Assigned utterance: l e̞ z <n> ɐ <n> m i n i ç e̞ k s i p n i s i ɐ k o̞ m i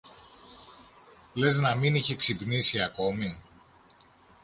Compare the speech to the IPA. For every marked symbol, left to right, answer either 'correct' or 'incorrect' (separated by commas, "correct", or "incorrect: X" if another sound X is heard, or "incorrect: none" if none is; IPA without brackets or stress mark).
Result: correct, incorrect: none